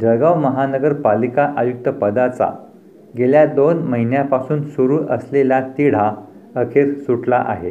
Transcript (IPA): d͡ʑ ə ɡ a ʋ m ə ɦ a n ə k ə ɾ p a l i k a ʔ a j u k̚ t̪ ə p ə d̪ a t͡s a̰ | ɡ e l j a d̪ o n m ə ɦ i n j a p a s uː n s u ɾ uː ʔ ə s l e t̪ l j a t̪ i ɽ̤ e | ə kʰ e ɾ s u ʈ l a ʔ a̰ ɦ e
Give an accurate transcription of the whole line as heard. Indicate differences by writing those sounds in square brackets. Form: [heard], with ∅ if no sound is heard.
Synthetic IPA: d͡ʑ ə ɡ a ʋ m ə ɦ a n ə [ɡ] ə ɾ p a l i k a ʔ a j u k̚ t̪ ə p ə d̪ a t͡s a̰ | ɡ e l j a d̪ o n m ə ɦ i n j a p a s uː n s u ɾ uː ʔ ə s l e [∅] l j a t̪ i ɽ̤ [a] | ə kʰ e ɾ s u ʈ l a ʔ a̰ ɦ e